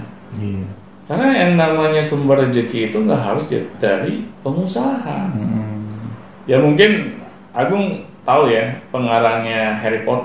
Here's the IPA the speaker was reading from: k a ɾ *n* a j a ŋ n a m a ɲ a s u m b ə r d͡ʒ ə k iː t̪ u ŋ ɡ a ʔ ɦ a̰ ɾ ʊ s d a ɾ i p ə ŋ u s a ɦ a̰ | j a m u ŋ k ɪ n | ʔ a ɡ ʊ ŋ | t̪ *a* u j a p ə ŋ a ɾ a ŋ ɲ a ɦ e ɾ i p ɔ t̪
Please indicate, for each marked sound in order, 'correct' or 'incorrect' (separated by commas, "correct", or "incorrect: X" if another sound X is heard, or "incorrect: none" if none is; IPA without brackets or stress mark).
correct, correct